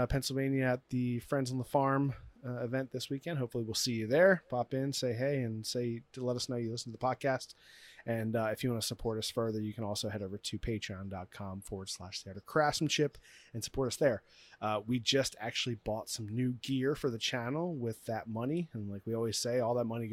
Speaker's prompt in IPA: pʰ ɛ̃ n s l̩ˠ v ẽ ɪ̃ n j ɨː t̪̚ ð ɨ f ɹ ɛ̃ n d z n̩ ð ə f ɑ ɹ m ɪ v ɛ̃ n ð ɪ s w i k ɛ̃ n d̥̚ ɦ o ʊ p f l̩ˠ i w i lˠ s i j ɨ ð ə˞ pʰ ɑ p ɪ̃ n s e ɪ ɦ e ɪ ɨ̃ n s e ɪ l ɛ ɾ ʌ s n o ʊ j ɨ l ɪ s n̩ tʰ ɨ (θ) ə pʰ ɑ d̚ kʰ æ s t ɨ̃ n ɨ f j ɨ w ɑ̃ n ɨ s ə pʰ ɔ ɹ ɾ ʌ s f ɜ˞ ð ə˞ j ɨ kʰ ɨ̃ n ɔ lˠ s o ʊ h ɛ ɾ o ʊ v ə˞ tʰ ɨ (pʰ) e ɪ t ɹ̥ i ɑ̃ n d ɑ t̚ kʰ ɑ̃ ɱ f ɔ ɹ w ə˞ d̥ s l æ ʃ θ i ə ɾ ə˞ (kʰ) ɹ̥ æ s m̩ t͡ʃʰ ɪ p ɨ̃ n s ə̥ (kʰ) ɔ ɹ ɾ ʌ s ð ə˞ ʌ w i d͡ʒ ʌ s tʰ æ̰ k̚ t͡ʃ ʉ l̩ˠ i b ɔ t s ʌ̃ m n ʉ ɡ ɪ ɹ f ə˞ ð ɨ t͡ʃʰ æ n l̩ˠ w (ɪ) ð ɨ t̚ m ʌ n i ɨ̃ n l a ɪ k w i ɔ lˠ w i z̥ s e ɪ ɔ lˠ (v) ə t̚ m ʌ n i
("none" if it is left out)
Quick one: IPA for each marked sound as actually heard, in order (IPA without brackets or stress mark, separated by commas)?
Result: ð, pʰ, kʰ, pʰ, ɪ, ð